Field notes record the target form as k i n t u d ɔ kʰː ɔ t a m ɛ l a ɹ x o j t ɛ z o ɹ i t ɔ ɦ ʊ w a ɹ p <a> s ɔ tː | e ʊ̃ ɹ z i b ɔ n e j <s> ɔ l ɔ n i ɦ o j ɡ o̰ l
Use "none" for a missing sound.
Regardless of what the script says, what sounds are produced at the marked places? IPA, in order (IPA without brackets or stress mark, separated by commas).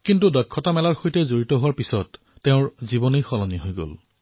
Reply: i, x